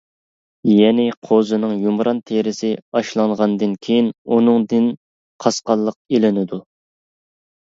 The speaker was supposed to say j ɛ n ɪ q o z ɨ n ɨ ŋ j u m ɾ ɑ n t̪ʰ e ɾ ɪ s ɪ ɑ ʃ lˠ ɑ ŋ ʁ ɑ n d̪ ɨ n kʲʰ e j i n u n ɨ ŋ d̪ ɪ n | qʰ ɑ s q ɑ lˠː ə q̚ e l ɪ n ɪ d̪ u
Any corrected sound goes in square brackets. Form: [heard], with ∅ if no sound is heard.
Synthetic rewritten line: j ɛ n ɪ [qʰ] o z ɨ n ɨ ŋ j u m ɾ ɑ n t̪ʰ e ɾ ɪ s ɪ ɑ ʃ lˠ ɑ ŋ ʁ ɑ n d̪ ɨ n kʲʰ e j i n u n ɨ ŋ d̪ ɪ n | qʰ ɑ s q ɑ lˠː ə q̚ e l ɪ n ɪ d̪ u